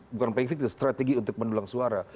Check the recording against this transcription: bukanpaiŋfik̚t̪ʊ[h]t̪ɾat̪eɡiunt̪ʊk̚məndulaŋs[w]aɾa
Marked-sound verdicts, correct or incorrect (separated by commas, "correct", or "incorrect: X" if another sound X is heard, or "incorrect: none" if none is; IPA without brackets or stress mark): incorrect: s, incorrect: u